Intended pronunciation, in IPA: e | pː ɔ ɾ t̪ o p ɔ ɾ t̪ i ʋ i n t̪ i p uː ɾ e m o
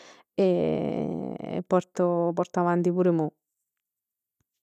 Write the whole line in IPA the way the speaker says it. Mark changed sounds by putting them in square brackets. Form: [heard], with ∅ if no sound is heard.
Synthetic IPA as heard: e | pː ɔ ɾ t̪ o p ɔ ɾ t̪ [a] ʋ [a] n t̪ i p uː ɾ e m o